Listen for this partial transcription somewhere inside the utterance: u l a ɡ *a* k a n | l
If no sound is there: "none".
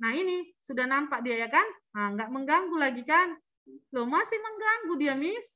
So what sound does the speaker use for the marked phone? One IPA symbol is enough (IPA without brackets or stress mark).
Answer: i